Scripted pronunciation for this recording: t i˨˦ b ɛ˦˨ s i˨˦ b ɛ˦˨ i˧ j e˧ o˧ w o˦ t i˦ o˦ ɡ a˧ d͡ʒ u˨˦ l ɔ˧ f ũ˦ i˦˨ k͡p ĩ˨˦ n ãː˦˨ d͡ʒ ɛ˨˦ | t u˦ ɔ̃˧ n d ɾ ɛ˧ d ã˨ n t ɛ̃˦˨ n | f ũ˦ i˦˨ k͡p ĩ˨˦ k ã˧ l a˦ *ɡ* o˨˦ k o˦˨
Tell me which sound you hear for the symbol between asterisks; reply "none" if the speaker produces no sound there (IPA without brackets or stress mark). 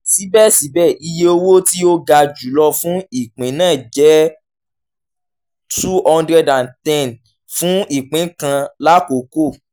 k